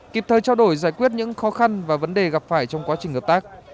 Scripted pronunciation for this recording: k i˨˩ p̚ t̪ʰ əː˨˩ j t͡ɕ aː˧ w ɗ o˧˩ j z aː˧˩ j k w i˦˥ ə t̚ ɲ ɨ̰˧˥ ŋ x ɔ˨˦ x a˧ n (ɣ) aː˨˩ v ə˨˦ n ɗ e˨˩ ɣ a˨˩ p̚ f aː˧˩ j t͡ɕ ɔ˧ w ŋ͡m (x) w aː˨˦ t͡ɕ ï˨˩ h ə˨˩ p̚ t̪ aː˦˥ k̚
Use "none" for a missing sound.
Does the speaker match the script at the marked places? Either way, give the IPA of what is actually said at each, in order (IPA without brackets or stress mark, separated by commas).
v, k